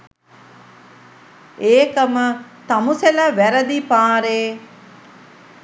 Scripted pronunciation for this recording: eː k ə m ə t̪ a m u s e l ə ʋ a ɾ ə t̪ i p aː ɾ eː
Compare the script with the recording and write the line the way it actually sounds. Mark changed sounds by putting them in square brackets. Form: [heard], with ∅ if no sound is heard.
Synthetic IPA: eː k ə m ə t̪ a m u s e l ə ʋ [æ] ɾ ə [d̪] i p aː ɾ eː